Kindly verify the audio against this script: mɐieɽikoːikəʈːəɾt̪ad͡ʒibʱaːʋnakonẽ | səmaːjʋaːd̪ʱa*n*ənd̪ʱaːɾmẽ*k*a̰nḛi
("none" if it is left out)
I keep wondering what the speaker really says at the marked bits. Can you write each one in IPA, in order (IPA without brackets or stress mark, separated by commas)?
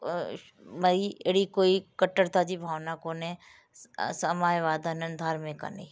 n, k